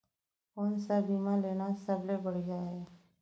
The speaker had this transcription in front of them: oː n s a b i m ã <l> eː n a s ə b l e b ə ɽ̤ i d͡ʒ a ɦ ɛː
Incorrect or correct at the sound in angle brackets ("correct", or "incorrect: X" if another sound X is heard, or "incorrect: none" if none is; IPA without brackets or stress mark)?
correct